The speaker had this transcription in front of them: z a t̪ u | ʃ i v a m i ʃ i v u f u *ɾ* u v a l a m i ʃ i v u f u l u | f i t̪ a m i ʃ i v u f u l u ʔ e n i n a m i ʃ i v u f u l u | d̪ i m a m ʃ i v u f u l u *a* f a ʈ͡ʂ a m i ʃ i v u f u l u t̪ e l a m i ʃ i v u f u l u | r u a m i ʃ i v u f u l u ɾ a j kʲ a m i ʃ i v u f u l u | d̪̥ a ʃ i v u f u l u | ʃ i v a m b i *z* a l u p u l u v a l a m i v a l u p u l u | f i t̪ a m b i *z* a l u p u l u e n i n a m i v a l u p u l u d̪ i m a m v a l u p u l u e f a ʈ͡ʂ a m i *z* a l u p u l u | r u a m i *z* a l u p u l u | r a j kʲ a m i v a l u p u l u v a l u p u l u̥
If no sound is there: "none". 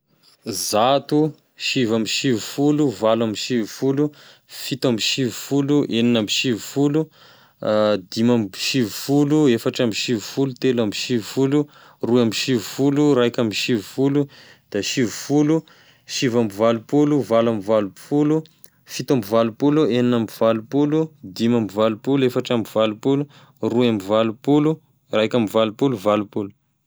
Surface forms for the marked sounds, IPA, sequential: l, e, v, v, v, v

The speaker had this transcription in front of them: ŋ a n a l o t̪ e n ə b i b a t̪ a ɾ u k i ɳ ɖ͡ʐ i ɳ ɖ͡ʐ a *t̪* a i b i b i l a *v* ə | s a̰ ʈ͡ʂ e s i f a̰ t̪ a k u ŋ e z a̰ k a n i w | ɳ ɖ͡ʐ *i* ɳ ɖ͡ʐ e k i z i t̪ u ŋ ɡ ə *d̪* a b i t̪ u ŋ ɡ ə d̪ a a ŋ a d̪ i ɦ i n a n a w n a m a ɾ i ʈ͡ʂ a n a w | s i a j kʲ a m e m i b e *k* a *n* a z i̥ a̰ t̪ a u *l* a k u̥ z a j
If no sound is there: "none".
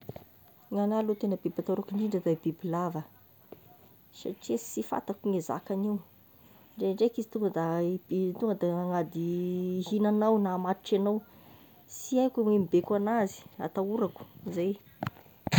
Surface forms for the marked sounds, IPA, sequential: d̪, v, e, d̪, k, n, ɾ

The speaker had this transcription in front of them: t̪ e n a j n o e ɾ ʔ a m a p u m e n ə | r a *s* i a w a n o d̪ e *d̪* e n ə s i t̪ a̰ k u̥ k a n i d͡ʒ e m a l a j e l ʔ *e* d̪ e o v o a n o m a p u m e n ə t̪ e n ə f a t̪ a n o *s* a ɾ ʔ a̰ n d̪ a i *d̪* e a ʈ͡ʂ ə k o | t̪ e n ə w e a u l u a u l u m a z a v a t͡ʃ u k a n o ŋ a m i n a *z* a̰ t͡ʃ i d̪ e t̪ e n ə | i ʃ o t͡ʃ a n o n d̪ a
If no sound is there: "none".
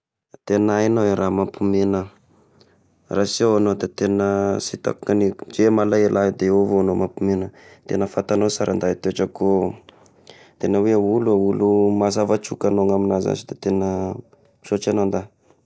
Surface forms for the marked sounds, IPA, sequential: s, t̪, a, s, t̪, z

